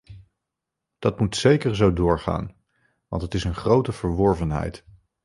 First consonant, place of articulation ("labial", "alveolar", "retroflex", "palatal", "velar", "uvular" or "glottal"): alveolar